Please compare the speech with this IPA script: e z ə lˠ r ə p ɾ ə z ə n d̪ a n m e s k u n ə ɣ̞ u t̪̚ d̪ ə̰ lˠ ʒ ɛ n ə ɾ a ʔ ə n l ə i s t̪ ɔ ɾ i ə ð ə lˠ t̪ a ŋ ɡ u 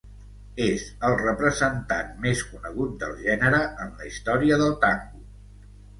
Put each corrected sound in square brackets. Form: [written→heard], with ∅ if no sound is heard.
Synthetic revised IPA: e z ə lˠ r ə p ɾ ə z ə n [d̪→t̪] a n m e s k u n ə ɣ̞ u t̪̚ d̪ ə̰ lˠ ʒ ɛ n ə ɾ [a→ə] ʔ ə n l ə i s t̪ ɔ ɾ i ə ð ə lˠ t̪ a ŋ ɡ u